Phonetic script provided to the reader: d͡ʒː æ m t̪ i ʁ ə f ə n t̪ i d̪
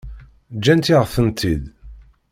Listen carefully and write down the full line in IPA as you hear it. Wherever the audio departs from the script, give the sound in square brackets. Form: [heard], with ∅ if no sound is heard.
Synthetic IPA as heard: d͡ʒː æ [n] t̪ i ʁ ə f ə n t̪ i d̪